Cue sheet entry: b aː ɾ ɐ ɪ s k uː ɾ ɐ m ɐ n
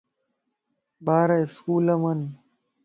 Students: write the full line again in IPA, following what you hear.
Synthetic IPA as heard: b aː ɾ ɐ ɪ s k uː l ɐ m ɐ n